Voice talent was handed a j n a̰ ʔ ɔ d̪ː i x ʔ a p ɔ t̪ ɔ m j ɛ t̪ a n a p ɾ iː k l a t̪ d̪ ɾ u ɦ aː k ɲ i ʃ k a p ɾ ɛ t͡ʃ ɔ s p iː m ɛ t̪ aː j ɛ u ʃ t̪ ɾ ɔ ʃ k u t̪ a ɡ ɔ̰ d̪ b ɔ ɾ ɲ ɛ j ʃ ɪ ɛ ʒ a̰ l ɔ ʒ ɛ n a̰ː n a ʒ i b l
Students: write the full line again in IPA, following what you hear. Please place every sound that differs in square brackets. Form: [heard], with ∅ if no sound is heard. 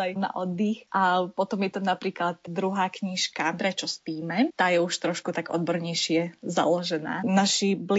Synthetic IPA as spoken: a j n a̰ ʔ ɔ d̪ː i x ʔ a p ɔ t̪ ɔ m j ɛ t̪ a n a p ɾ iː k l a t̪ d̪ ɾ u ɦ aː k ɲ i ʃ k a p ɾ ɛ t͡ʃ ɔ s p iː m ɛ t̪ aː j ɛ u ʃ t̪ ɾ ɔ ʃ k u t̪ a ɡ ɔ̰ d̪ b ɔ ɾ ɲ ɛ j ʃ ɪ ɛ [z] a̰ l ɔ ʒ ɛ n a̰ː n a [ʃ] i b l